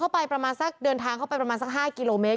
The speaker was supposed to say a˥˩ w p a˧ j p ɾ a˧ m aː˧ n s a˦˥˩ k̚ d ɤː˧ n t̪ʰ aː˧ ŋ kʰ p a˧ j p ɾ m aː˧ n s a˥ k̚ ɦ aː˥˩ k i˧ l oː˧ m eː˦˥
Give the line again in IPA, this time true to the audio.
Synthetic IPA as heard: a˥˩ w p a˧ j p ɾ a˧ m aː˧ n s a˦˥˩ k̚ d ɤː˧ n t̪ʰ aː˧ ŋ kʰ p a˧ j p ɾ m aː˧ n s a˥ k̚ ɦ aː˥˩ k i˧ l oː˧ m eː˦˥